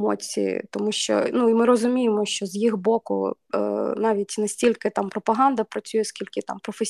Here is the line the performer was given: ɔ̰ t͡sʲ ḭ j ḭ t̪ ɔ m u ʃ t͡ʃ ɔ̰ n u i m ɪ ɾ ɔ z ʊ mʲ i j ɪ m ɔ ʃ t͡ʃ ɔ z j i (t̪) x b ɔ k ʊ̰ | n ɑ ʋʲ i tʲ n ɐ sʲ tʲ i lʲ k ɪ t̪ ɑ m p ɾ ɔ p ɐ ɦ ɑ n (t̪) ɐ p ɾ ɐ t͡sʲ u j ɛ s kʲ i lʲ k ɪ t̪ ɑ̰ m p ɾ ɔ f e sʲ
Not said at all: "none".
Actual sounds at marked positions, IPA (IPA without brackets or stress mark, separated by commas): none, d̪